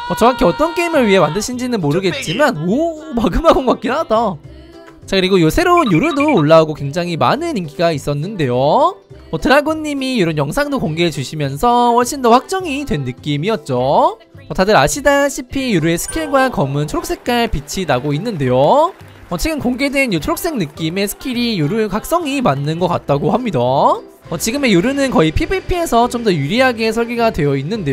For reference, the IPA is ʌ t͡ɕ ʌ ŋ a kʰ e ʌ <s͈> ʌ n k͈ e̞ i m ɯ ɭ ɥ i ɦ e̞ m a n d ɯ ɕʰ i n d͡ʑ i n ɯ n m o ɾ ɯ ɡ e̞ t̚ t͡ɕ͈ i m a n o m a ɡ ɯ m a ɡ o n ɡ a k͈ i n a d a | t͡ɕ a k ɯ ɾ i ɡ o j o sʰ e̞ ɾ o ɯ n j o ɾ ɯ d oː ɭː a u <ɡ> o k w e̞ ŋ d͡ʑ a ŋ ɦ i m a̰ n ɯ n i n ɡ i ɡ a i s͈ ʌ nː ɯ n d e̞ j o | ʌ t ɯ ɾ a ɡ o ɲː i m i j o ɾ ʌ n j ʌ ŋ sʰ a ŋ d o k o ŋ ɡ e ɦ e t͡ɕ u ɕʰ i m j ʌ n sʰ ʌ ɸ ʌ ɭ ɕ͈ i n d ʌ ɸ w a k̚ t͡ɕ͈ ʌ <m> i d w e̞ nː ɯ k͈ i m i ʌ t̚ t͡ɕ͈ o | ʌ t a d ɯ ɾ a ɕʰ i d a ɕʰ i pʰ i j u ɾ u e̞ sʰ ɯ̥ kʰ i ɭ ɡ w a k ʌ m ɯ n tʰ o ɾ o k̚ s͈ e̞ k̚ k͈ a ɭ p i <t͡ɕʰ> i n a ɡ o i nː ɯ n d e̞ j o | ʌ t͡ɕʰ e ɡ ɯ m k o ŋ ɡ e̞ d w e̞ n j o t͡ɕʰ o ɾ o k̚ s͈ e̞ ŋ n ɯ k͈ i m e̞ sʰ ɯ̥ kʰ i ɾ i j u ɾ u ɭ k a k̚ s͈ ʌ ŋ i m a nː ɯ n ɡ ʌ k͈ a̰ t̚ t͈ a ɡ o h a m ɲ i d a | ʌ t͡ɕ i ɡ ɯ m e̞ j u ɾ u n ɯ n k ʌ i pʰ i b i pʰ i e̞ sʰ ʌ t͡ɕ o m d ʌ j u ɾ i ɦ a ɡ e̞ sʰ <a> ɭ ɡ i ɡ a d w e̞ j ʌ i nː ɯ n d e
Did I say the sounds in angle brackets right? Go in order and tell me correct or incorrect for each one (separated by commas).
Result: incorrect, correct, incorrect, correct, incorrect